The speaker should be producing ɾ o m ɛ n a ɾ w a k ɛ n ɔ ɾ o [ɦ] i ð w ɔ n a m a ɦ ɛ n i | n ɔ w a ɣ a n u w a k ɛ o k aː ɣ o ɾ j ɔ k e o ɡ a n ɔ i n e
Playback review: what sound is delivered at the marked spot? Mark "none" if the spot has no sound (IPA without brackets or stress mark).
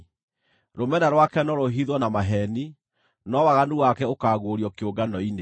ɦ